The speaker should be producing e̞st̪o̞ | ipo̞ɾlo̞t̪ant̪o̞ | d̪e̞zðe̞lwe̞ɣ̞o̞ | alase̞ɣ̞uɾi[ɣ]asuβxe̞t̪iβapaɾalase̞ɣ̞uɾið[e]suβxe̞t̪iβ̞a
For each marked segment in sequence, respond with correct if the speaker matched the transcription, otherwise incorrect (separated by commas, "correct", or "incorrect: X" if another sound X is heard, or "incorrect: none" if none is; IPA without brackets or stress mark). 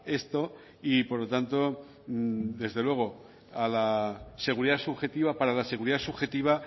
incorrect: ð, incorrect: a